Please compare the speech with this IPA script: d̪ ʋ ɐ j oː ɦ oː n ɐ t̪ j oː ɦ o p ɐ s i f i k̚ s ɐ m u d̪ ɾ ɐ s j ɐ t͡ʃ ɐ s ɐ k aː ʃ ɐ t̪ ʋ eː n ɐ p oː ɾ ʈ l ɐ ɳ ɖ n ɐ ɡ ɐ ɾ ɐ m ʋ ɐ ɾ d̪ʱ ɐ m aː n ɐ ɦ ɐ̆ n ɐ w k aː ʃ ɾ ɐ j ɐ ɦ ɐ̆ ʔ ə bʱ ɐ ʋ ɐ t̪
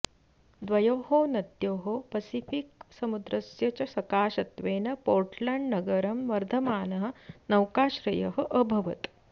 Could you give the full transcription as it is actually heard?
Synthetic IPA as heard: d̪ ʋ ɐ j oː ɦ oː n ɐ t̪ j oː ɦ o p ɐ s i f i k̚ s ɐ m u d̪ ɾ ɐ s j ɐ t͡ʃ ɐ s ɐ k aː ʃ ɐ t̪ ʋ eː n ɐ p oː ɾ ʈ l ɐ ɳ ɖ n ɐ ɡ ɐ ɾ ɐ m ʋ ɐ ɾ d̪ʱ ɐ m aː n ɐ ɦ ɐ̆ n ɐ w k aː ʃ ɾ ɐ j ɐ ɦ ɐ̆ ʔ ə bʱ ɐ ʋ ɐ t̪